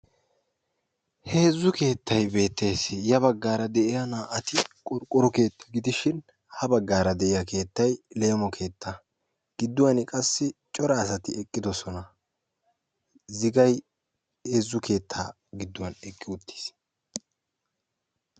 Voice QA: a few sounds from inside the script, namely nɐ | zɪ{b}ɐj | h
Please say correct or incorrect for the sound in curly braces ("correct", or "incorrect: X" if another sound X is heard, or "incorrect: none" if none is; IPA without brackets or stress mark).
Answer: incorrect: ɡ